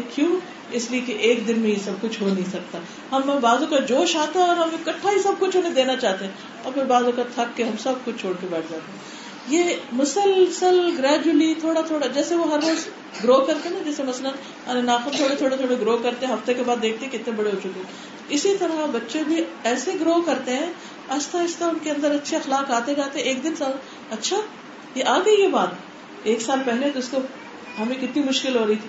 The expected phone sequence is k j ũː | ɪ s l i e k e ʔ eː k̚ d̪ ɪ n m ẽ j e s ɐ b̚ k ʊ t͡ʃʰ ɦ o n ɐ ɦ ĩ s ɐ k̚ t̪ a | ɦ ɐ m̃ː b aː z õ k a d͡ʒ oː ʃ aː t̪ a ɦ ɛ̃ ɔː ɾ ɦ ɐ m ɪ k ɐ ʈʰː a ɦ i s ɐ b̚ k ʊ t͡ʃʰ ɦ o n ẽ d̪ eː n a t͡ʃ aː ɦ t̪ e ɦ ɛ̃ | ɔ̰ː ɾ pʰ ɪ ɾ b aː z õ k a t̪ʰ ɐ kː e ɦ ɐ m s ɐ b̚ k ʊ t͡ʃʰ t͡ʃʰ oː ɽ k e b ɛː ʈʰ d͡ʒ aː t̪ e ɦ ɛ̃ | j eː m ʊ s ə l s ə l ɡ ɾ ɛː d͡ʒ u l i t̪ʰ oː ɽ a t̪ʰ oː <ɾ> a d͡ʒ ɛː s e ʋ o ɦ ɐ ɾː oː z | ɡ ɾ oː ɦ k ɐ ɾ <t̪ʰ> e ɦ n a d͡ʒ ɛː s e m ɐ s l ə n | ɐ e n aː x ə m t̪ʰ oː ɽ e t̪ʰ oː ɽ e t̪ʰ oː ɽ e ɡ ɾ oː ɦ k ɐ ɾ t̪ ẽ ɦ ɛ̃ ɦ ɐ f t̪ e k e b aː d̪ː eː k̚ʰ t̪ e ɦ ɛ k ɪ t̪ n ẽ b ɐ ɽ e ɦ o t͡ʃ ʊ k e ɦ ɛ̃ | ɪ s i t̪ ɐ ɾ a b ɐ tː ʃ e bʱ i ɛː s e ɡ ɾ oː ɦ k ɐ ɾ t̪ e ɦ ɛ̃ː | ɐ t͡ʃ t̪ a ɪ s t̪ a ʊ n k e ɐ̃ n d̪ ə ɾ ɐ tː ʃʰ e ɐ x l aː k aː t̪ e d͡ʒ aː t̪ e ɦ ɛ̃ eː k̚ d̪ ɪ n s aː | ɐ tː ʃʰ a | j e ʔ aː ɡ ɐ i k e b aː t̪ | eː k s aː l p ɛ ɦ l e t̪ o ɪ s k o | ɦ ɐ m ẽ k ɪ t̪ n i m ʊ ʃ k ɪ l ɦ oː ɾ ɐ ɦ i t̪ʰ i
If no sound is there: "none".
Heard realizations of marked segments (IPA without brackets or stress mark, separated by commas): ɽ, t̪